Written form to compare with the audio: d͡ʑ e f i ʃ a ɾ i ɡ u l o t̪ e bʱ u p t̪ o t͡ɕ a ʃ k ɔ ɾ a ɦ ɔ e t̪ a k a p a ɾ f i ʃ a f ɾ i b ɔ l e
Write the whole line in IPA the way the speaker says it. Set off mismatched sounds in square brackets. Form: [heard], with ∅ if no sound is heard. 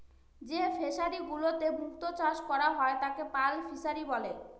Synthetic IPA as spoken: d͡ʑ e f [e] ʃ a ɾ i ɡ u l o t̪ e bʱ u [k] t̪ o t͡ɕ a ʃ k ɔ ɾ a ɦ ɔ e t̪ a k [e] p a [l] f i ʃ a [∅] ɾ i b ɔ l e